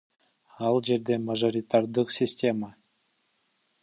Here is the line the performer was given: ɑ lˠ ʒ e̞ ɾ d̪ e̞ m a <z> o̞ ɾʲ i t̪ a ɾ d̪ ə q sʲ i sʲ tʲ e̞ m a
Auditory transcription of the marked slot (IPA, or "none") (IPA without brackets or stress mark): ʒ